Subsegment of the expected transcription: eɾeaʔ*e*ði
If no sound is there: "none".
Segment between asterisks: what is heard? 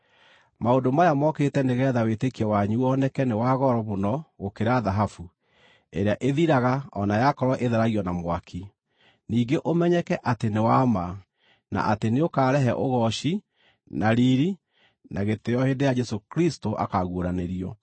e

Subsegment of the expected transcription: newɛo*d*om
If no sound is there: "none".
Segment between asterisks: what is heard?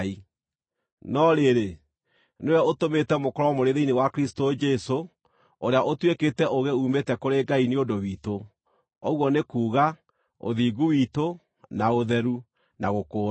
t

